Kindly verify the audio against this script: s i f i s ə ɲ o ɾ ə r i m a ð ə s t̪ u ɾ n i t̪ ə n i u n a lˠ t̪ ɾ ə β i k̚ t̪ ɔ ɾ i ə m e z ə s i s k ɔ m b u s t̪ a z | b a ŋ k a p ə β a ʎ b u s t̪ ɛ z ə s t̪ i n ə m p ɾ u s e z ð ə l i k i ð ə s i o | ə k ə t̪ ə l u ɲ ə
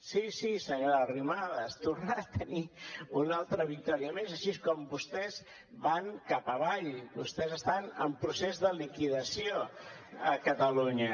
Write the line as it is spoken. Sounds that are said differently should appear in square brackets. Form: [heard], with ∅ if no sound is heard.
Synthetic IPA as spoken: s i [s] i s ə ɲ o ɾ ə r i m a ð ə s t̪ u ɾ n [a] t̪ ə n i u n a lˠ t̪ ɾ ə β i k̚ t̪ ɔ ɾ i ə m e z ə [ʃ] i s k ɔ m b u s t̪ [ɛ] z | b a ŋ k a p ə β a ʎ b u s t̪ ɛ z ə s t̪ [a] n ə m p ɾ u s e z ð ə l i k i ð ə s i o | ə k ə t̪ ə l u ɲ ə